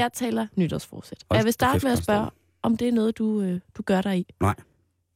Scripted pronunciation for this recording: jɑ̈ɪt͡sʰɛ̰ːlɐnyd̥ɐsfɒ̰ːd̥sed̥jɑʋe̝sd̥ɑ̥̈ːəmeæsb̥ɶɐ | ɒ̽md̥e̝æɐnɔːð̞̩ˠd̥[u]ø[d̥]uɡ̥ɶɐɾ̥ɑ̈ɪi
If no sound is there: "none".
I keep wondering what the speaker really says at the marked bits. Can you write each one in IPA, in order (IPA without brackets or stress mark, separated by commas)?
u, d̥